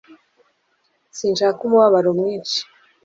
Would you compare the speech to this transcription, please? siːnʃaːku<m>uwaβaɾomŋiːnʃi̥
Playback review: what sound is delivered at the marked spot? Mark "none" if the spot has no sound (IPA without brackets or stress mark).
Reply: m